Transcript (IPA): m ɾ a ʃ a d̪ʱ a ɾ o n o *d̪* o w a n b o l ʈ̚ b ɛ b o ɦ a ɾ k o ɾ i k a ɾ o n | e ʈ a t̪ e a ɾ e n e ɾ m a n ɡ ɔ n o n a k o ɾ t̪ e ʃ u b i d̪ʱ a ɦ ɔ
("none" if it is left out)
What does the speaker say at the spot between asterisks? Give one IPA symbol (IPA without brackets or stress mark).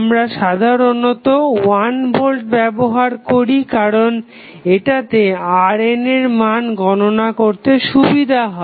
t̪